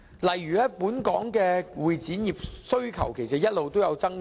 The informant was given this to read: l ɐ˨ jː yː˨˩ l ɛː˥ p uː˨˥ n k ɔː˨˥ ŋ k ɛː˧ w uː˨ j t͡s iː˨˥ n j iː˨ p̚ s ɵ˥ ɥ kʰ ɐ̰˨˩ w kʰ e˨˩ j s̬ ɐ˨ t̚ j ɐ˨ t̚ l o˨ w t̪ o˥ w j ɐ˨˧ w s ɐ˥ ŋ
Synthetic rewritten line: l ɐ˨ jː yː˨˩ l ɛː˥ p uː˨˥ n k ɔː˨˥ ŋ k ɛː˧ w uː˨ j t͡s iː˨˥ n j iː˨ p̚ s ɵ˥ ɥ kʰ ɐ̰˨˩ w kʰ e˨˩ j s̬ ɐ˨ t̚ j ɐ˥ t̚ l o˨ w t̪ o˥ w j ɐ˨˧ w t͡s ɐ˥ ŋ